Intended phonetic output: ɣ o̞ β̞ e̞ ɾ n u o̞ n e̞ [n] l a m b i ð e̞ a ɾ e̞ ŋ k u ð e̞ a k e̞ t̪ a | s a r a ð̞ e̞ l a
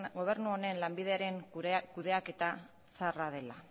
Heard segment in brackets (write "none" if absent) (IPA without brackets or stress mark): n